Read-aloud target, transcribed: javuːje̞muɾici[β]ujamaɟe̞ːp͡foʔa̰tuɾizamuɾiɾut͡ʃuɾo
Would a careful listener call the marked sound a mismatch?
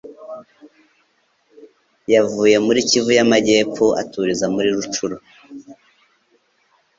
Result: yes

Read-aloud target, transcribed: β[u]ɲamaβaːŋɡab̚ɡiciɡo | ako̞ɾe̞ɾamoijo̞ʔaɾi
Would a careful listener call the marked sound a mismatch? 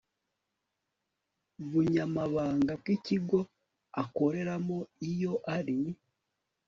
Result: no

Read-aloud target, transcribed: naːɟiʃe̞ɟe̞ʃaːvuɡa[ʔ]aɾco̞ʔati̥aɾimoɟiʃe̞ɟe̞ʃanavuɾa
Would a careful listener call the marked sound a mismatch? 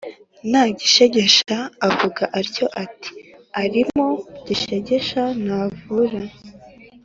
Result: no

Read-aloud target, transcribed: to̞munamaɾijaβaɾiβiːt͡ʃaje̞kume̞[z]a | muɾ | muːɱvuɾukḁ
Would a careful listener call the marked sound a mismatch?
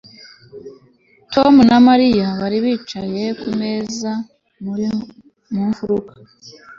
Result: no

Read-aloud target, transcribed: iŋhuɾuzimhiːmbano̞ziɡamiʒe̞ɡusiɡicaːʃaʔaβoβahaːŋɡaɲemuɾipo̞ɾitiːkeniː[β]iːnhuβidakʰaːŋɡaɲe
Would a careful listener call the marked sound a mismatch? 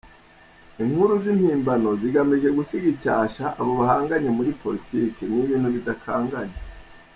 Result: no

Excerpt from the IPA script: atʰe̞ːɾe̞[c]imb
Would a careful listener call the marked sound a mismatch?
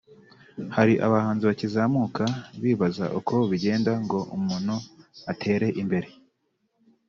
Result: yes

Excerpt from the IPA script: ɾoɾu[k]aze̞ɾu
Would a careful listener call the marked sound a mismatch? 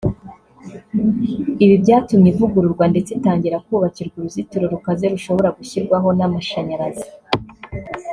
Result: no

